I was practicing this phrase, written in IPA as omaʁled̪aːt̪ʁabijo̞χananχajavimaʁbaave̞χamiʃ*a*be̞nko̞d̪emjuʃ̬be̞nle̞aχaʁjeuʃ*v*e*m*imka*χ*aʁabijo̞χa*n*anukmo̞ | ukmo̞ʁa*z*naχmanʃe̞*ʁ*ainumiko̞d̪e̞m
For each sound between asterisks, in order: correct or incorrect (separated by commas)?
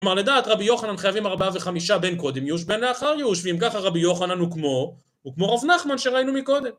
correct, correct, incorrect, correct, correct, incorrect, correct